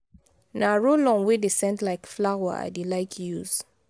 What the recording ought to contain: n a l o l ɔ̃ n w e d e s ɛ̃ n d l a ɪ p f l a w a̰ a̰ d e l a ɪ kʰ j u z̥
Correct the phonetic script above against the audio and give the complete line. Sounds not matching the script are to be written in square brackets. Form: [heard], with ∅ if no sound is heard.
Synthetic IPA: n a [ɹ] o l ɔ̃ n w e d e s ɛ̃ n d l a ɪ [k] f l a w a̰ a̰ d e l a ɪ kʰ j u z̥